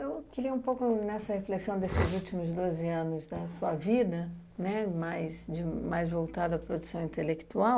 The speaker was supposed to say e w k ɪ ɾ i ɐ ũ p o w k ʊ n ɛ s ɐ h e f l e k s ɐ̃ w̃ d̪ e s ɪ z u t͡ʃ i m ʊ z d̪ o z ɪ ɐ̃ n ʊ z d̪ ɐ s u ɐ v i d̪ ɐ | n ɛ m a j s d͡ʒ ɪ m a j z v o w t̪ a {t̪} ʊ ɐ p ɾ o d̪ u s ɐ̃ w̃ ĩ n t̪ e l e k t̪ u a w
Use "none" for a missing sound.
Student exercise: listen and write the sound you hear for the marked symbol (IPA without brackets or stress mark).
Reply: d̪